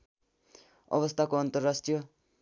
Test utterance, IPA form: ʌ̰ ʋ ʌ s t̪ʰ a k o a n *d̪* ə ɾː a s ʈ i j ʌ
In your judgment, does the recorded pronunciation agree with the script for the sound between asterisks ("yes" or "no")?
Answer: no